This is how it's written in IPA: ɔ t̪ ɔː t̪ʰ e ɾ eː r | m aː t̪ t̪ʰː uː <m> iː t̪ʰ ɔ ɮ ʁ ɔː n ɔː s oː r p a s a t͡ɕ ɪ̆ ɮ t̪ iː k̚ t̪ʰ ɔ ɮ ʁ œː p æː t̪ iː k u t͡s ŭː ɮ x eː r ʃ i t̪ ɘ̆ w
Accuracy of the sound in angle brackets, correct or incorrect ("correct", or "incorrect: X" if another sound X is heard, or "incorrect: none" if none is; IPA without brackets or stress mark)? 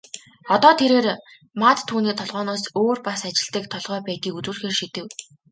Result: incorrect: n